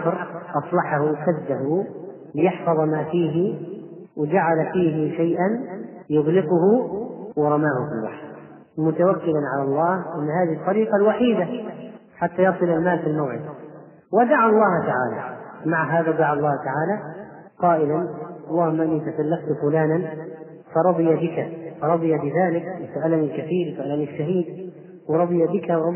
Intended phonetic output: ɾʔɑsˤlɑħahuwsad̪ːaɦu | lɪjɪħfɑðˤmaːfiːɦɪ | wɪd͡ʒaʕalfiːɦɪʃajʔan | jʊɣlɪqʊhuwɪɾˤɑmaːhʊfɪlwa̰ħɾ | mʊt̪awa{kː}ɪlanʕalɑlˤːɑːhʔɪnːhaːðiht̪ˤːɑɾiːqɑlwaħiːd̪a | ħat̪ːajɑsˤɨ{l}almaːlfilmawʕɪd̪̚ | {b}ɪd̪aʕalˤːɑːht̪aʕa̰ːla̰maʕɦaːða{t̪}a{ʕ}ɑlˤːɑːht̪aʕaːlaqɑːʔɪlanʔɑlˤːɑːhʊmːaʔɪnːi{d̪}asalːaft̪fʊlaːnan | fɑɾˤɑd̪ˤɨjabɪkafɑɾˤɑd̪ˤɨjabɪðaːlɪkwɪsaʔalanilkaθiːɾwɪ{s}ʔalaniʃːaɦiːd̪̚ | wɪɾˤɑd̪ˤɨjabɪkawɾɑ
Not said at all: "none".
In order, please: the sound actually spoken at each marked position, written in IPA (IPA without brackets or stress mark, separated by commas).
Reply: kː, l, w, d̪, ʕ, t̪, s